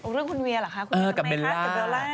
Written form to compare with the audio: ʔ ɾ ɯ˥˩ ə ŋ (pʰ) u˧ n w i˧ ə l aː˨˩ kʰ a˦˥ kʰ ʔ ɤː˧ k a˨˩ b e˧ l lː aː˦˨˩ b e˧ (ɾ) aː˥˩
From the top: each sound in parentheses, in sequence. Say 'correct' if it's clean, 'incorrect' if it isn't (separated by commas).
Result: incorrect, incorrect